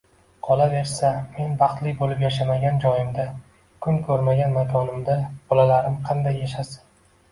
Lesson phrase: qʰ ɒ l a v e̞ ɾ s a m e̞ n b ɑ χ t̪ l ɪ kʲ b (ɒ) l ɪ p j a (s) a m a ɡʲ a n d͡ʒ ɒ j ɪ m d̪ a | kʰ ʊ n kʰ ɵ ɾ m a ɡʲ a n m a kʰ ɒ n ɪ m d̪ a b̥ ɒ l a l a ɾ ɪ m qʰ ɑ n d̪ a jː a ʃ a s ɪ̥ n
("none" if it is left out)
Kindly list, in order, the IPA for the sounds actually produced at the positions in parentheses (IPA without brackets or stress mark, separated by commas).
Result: o, ʃ